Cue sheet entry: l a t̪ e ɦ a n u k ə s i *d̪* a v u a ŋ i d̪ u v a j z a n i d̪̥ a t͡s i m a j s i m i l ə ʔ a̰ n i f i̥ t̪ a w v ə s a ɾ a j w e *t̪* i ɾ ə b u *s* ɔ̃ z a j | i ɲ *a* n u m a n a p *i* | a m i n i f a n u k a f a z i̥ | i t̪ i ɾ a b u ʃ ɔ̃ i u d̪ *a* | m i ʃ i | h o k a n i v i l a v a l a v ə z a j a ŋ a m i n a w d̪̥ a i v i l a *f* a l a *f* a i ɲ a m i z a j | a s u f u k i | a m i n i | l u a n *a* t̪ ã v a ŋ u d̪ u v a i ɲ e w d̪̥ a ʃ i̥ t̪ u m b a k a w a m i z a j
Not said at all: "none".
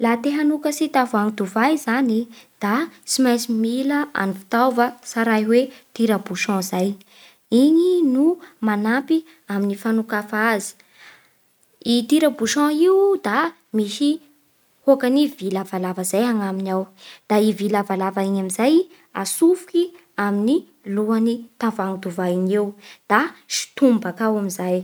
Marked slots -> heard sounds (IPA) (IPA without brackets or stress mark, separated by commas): t̪, t̪, ʃ, i, i, a, v, v, i